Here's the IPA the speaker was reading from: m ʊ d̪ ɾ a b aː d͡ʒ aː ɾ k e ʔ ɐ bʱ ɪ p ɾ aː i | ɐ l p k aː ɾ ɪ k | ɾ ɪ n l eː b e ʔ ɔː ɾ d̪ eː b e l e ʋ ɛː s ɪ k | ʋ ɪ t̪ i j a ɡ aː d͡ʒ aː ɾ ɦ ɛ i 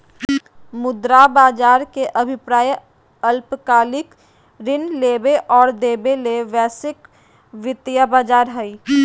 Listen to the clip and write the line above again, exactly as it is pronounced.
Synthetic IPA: m ʊ d̪ ɾ a b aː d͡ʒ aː ɾ k e ʔ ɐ bʱ ɪ p ɾ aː j | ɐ l p k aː l ɪ k | ɾ ɪ n l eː b e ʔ ɔː ɾ d̪ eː b e l e ʋ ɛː s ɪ k | ʋ ɪ t̪ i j a b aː d͡ʒ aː ɾ ɦ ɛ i